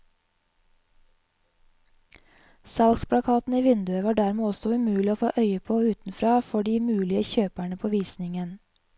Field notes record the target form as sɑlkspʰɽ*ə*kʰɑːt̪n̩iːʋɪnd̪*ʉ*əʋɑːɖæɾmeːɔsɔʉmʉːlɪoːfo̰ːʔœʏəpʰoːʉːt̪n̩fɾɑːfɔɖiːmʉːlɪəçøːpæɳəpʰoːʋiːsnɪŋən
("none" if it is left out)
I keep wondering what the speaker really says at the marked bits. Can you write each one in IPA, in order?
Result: ɑ, ʉ

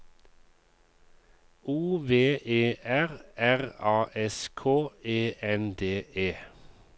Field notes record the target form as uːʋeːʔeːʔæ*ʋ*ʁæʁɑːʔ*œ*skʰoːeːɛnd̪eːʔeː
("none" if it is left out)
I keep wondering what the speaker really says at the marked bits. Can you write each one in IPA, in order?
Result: none, ɛ

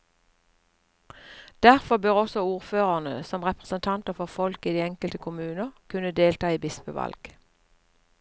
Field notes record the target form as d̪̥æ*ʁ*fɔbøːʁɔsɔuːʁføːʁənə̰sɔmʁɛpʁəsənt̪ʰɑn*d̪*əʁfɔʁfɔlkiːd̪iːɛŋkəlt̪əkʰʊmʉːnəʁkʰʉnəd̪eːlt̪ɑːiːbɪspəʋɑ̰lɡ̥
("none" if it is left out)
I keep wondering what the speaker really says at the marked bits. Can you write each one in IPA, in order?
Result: ʁ, t̪

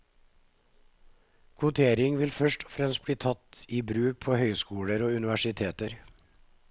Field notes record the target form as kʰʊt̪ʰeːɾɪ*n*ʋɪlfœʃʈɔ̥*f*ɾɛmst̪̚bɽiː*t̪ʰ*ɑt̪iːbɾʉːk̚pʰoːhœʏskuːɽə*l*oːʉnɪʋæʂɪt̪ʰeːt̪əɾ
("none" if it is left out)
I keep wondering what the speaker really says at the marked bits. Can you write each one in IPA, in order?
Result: ŋ, f, t̪ʰ, ɾ

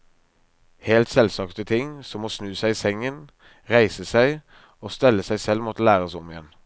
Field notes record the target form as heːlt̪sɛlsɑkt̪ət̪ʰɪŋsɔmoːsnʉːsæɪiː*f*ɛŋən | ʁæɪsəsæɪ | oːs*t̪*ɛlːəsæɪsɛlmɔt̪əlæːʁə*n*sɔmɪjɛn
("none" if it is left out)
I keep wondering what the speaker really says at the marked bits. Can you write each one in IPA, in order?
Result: s, t̪, none

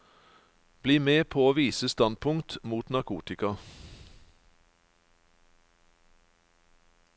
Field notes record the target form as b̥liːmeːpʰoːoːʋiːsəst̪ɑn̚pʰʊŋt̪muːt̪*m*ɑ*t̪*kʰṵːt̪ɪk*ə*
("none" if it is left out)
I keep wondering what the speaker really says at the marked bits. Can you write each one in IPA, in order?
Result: n, none, ɑ

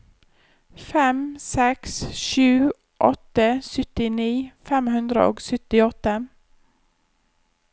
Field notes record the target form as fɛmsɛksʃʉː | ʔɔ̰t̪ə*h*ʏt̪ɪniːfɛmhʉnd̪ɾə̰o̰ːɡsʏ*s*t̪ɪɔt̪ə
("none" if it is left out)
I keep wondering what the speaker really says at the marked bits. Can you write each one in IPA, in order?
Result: s, none

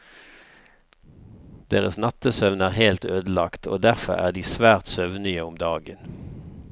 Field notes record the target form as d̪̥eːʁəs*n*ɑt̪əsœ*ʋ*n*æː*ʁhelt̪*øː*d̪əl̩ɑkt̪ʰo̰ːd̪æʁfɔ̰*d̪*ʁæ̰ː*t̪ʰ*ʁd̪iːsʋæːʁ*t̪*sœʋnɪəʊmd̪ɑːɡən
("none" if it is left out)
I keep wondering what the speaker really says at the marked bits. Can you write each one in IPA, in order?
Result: n, ʋ, æː, øː, none, none, t̪

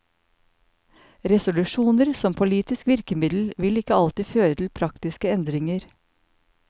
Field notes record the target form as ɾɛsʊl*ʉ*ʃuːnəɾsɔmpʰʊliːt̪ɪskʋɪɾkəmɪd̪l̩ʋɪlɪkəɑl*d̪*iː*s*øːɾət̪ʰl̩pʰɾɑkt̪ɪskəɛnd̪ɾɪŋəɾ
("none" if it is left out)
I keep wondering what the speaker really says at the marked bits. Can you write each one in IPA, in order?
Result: ʉ, t̪, f

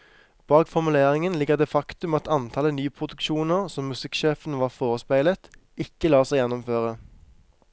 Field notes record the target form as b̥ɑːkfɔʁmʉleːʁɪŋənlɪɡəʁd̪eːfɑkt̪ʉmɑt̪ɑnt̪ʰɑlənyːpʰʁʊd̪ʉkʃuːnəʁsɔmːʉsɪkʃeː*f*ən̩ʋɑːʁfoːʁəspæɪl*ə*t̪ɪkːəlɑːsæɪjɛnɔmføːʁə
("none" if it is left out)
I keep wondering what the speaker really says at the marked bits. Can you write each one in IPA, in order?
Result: f, ə

